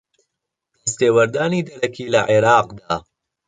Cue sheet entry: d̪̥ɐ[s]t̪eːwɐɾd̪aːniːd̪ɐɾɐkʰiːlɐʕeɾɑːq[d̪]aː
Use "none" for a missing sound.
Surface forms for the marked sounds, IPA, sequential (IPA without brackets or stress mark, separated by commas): s, d̪